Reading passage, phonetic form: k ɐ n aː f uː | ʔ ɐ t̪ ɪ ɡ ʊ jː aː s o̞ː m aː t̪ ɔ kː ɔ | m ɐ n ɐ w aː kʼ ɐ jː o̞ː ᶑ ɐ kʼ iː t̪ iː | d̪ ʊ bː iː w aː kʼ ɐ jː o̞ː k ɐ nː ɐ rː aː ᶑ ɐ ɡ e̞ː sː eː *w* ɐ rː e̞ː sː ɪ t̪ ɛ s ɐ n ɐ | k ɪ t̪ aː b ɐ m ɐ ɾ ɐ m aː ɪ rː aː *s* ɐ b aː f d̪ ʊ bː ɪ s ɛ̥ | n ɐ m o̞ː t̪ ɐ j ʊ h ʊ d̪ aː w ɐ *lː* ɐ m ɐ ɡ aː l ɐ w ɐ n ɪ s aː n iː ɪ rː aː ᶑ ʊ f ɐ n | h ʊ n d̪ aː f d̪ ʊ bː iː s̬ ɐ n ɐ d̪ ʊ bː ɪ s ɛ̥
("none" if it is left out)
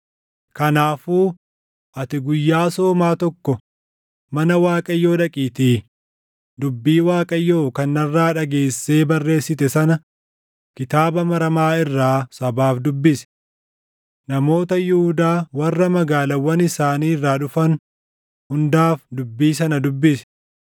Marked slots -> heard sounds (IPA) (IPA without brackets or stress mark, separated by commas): b, s, rː